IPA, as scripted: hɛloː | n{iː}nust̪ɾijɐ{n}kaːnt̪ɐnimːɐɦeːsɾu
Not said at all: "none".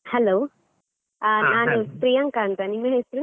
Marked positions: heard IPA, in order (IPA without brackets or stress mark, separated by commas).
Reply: aː, ŋ